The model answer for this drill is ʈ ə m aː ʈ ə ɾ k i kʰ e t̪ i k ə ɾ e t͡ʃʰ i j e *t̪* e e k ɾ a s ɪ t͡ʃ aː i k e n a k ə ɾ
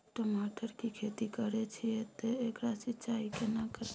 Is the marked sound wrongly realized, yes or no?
no